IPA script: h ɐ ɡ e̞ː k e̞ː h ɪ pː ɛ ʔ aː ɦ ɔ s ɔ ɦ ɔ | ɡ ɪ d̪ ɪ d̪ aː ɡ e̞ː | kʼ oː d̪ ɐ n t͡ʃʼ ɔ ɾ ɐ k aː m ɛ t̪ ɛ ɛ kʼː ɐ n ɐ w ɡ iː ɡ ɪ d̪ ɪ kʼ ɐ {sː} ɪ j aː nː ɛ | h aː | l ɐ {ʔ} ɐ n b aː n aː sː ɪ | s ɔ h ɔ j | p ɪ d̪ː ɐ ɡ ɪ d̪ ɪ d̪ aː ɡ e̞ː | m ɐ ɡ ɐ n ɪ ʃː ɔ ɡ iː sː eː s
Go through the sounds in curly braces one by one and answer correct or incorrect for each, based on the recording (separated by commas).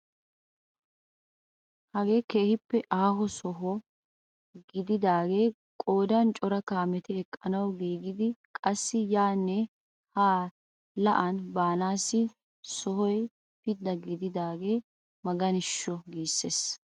correct, correct